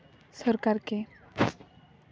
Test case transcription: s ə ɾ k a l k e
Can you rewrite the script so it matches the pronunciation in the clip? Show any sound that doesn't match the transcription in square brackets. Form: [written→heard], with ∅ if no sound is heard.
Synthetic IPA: s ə ɾ k a [l→ɾ] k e